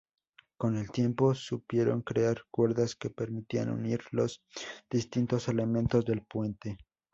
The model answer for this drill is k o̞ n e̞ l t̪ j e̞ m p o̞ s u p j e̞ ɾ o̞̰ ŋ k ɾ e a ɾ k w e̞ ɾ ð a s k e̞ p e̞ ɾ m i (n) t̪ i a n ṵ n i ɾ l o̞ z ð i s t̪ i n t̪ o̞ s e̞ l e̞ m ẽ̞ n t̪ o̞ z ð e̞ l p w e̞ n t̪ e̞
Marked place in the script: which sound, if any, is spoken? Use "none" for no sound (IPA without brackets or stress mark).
none